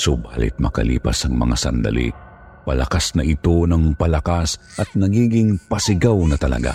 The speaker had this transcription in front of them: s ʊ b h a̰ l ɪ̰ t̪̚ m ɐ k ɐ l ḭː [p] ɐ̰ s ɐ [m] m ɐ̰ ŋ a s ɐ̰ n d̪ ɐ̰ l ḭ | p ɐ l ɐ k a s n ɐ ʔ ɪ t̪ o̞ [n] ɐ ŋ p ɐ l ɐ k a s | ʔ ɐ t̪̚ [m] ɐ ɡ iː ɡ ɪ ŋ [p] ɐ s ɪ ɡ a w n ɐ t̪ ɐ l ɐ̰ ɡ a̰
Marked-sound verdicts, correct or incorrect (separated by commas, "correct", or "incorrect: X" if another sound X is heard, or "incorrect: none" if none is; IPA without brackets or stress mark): correct, incorrect: ŋ, correct, incorrect: n, correct